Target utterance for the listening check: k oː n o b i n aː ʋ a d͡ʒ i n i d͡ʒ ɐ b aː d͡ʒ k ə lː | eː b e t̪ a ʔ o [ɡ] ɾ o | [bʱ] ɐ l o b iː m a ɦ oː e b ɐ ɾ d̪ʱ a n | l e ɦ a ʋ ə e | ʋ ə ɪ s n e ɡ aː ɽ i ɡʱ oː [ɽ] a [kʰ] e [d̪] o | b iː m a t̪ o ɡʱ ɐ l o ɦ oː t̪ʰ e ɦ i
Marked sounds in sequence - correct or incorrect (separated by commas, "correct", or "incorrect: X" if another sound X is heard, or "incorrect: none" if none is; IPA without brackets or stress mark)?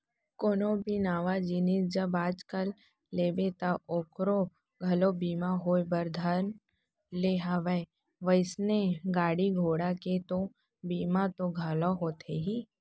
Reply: incorrect: k, incorrect: ɡʱ, correct, incorrect: k, incorrect: t̪